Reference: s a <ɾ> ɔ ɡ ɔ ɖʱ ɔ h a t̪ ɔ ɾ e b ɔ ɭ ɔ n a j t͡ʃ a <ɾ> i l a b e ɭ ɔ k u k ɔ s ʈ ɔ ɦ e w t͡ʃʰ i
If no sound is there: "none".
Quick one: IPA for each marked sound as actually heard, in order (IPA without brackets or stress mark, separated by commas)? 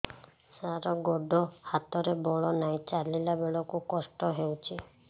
ɾ, l